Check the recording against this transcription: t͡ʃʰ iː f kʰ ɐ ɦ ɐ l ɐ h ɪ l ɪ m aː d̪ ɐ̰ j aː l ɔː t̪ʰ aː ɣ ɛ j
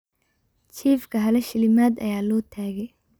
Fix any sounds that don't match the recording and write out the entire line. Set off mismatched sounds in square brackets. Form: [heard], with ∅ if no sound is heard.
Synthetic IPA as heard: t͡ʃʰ iː f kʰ ɐ ɦ ɐ l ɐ [ʃ] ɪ l ɪ m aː d̪ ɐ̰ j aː l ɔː t̪ʰ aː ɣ ɛ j